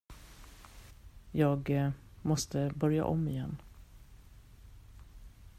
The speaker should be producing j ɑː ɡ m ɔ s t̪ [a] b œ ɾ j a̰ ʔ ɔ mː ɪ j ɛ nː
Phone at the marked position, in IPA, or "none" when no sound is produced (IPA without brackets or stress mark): ə